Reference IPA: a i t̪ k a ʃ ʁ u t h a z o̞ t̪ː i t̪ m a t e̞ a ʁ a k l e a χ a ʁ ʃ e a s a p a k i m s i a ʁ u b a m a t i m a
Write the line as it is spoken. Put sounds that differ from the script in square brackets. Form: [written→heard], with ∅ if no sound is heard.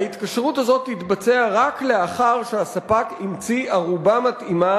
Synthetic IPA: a i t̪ k a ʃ ʁ u t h a z o̞ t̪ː i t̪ [m→b] a [t→t͡s] e̞ a ʁ a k l e a χ a ʁ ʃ e a s a p a k i m [s→t͡s] i a ʁ u b a m a t i m a